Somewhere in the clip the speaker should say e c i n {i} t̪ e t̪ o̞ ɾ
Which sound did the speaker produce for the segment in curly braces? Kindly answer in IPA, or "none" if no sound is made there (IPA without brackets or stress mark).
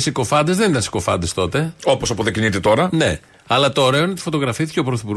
i